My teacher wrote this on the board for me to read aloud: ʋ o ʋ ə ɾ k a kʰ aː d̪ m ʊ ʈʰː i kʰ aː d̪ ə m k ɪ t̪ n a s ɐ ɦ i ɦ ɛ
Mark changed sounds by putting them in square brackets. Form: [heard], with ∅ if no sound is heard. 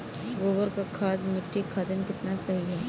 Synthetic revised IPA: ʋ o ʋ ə ɾ k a kʰ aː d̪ m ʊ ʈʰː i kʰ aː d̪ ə m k ɪ t̪ n a s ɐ ɦ i ɦ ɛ